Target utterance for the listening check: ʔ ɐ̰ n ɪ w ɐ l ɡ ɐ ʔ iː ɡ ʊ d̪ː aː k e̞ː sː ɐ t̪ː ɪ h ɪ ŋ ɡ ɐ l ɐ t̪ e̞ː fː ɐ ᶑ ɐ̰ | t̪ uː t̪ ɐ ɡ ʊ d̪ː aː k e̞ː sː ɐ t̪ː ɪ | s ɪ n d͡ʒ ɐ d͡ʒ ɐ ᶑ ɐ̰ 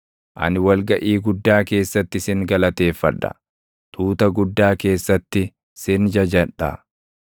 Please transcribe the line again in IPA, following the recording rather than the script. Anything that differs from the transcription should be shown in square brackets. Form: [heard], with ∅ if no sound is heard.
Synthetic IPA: ʔ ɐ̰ n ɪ w ɐ l ɡ ɐ ʔ iː ɡ ʊ d̪ː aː k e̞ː sː ɐ t̪ː ɪ [s] ɪ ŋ ɡ ɐ l ɐ t̪ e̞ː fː ɐ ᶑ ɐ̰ | t̪ uː t̪ ɐ ɡ ʊ d̪ː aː k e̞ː sː ɐ t̪ː ɪ | s ɪ n d͡ʒ ɐ d͡ʒ ɐ ᶑ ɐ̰

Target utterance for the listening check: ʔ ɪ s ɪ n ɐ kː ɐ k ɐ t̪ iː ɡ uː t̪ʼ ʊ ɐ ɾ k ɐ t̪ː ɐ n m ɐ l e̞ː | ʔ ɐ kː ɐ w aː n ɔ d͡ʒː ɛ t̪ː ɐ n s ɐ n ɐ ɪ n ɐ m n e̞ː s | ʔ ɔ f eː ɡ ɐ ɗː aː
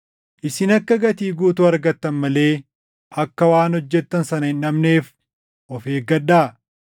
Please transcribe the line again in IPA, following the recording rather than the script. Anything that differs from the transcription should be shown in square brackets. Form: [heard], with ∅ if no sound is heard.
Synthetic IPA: ʔ ɪ s ɪ n ɐ kː ɐ [ɡ] ɐ t̪ iː ɡ uː [t̪] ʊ ɐ ɾ [ɡ] ɐ t̪ː ɐ n m ɐ l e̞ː | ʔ ɐ kː ɐ w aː n ɔ d͡ʒː ɛ t̪ː ɐ n s ɐ n ɐ ɪ n ɐ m n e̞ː [f] | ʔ ɔ f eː ɡ ɐ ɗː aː

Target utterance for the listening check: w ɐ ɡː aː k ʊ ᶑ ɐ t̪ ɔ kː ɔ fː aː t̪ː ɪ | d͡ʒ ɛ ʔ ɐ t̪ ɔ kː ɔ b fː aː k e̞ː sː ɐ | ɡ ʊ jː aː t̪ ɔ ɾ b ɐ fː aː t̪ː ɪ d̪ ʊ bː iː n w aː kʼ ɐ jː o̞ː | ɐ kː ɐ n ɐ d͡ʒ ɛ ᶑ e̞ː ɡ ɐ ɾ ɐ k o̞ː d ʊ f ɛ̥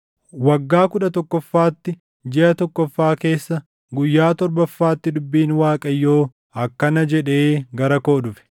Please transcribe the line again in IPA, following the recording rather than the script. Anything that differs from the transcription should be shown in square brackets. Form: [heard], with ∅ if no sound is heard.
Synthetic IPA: w ɐ ɡː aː k ʊ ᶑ ɐ t̪ ɔ kː ɔ fː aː t̪ː ɪ | d͡ʒ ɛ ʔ ɐ t̪ ɔ kː ɔ [∅] fː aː k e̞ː sː ɐ | ɡ ʊ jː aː t̪ ɔ ɾ b ɐ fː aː t̪ː ɪ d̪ ʊ bː iː n w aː kʼ ɐ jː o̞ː | ɐ kː ɐ n ɐ d͡ʒ ɛ ᶑ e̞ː ɡ ɐ ɾ ɐ k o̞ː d ʊ f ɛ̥

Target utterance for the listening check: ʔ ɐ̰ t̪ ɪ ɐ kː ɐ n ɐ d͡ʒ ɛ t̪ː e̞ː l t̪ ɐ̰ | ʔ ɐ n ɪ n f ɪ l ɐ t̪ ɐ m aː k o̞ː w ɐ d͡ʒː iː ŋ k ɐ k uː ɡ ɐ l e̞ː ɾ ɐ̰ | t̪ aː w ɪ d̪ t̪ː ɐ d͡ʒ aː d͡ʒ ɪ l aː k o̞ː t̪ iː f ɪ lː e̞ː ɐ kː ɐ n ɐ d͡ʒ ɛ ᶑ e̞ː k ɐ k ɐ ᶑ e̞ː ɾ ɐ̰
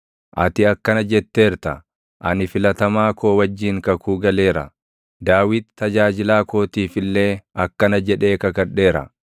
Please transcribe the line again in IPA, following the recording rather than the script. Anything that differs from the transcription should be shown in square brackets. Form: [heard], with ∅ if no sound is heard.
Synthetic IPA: ʔ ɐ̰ t̪ ɪ ɐ kː ɐ n ɐ d͡ʒ ɛ t̪ː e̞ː [ɾ] t̪ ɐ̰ | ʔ ɐ n ɪ [∅] f ɪ l ɐ t̪ ɐ m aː k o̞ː w ɐ d͡ʒː iː ŋ k ɐ k uː ɡ ɐ l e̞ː ɾ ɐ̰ | [d̪] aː w ɪ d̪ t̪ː ɐ d͡ʒ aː d͡ʒ ɪ l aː k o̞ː t̪ iː f ɪ lː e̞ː ɐ kː ɐ n ɐ d͡ʒ ɛ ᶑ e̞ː k ɐ k ɐ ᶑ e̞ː ɾ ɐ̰

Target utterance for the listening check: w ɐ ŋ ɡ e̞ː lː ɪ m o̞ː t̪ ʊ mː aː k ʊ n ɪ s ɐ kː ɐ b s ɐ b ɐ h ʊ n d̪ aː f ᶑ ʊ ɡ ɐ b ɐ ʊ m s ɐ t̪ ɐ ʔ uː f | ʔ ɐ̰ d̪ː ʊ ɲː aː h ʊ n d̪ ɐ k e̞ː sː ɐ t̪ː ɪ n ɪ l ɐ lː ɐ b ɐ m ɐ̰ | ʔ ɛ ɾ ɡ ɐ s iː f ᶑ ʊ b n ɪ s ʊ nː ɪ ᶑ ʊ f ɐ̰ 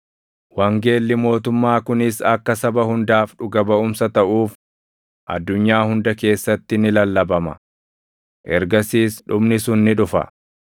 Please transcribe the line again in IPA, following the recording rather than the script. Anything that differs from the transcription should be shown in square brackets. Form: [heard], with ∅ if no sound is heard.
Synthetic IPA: w ɐ ŋ ɡ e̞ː lː ɪ m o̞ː t̪ ʊ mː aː k ʊ n ɪ s ɐ kː ɐ [∅] s ɐ b ɐ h ʊ n d̪ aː f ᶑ ʊ ɡ ɐ b ɐ ʊ m s ɐ t̪ ɐ ʔ uː f | ʔ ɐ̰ d̪ː ʊ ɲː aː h ʊ n d̪ ɐ k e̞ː sː ɐ t̪ː ɪ n ɪ l ɐ lː ɐ b ɐ m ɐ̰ | ʔ ɛ ɾ ɡ ɐ s iː [s] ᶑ ʊ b n ɪ s ʊ nː ɪ ᶑ ʊ f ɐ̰

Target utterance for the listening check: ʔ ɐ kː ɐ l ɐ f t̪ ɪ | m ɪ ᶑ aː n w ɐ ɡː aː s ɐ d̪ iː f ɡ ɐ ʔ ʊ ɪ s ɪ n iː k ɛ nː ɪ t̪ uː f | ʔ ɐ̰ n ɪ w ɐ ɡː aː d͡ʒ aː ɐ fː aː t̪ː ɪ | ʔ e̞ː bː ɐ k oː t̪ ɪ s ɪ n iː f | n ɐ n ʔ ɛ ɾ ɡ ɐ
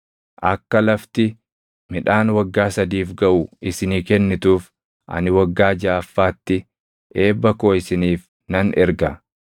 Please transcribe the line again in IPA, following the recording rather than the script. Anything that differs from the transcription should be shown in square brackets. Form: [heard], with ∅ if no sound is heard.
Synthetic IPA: ʔ ɐ kː ɐ l ɐ f t̪ ɪ | m ɪ ᶑ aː n w ɐ ɡː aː s ɐ d̪ iː f ɡ ɐ ʔ ʊ ɪ s ɪ n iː k ɛ nː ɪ t̪ uː f | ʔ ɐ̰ n ɪ w ɐ ɡː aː d͡ʒ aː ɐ fː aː t̪ː ɪ | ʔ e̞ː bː ɐ k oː [∅] ɪ s ɪ n iː f | n ɐ n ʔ ɛ ɾ ɡ ɐ

